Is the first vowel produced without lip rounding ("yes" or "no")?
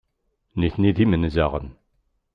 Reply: yes